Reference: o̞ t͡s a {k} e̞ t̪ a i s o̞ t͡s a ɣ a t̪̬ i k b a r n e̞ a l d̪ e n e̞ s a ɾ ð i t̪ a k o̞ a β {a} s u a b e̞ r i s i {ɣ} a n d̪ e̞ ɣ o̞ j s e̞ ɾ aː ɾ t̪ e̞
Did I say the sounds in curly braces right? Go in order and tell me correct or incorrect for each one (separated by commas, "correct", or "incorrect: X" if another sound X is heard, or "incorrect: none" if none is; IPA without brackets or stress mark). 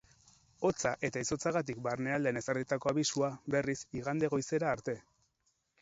incorrect: ʔ, incorrect: i, correct